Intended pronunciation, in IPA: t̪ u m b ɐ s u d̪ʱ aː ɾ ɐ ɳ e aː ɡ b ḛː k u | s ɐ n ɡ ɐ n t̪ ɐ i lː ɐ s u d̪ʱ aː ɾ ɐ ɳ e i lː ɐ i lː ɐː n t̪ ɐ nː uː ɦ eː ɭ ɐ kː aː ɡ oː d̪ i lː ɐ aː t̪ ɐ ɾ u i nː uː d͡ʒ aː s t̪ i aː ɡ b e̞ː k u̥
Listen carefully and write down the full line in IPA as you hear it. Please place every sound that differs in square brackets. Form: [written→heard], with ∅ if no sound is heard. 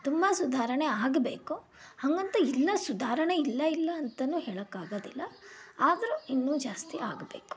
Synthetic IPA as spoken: t̪ u m b ɐ s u d̪ʱ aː ɾ ɐ ɳ e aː ɡ b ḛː k u | [s→h] ɐ [n→ŋ] ɡ ɐ n t̪ ɐ i lː ɐ s u d̪ʱ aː ɾ ɐ ɳ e i lː ɐ i lː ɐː n t̪ ɐ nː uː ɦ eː ɭ ɐ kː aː ɡ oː d̪ i lː ɐ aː [t̪→d̪] ɐ ɾ u i nː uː d͡ʒ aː s t̪ i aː ɡ b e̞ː k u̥